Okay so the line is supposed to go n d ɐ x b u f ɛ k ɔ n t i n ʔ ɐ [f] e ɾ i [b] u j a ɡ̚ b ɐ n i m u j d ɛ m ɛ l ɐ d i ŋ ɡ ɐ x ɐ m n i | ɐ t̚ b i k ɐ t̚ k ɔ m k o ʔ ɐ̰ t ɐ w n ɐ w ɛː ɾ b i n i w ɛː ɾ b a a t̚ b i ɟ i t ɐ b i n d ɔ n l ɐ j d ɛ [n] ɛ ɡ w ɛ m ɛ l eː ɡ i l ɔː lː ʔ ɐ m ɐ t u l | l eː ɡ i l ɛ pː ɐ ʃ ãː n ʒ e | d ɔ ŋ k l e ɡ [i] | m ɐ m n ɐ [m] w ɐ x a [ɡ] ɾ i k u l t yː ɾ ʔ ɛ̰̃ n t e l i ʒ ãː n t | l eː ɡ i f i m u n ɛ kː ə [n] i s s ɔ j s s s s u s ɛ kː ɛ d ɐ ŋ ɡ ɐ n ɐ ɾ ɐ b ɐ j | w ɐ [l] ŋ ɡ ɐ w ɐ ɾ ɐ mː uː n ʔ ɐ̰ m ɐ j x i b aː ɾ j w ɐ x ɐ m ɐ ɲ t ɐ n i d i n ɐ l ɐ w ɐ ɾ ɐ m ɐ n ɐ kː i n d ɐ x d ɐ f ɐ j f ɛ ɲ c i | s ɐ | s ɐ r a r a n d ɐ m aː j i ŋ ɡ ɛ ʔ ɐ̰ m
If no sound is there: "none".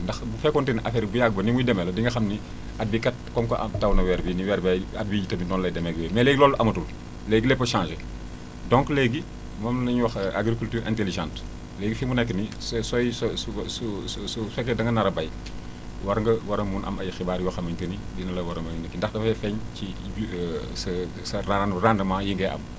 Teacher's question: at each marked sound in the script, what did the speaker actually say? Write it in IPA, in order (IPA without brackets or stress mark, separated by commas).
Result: f, b, m, i, ɲ, ɡ, n, ɾ